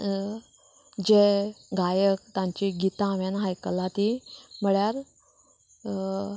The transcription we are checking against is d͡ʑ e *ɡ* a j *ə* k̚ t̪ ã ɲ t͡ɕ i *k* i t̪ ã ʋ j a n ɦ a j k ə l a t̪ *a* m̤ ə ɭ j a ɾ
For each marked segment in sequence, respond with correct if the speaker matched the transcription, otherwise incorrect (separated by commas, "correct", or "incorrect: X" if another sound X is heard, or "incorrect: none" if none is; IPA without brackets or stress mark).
correct, correct, incorrect: ɡ, incorrect: i